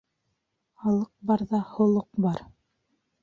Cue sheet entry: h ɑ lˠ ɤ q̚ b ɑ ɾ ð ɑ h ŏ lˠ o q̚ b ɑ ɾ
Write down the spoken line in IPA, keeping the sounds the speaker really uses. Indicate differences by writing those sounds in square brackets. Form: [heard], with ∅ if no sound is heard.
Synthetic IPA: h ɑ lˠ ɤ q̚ b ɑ ɾ ð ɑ h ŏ lˠ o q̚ b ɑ ɾ